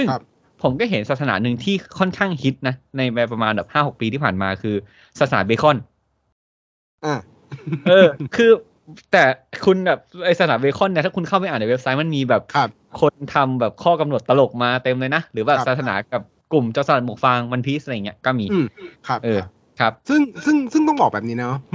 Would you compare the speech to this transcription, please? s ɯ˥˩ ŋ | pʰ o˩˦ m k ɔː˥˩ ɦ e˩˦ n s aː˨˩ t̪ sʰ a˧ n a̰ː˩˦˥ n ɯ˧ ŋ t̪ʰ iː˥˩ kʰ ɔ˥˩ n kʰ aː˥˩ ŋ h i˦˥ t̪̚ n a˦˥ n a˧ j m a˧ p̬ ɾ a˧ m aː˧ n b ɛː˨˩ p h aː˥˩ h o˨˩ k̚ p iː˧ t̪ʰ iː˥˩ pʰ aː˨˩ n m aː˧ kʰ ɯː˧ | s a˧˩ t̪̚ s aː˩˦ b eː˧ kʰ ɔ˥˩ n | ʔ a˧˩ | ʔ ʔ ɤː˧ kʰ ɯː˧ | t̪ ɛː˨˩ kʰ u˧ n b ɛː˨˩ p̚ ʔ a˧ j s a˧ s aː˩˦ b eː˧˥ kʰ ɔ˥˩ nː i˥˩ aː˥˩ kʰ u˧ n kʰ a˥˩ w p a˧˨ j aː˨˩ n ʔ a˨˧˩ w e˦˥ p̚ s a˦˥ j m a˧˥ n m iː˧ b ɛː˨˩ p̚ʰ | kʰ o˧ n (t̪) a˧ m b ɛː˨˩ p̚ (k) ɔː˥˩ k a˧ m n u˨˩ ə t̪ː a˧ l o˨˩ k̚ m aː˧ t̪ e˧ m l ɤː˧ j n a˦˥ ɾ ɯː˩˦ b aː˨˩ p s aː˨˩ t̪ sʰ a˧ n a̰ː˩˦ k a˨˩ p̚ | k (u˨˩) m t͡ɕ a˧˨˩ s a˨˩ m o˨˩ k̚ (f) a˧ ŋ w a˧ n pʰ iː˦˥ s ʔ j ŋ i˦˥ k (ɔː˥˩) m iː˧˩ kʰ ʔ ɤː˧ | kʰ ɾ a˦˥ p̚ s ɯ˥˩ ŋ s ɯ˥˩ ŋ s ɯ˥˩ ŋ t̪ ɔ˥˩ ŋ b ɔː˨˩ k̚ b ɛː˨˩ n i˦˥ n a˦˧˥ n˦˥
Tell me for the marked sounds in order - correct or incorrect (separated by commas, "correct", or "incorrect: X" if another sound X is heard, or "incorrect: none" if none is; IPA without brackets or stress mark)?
incorrect: t̪ʰ, incorrect: kʰ, correct, correct, correct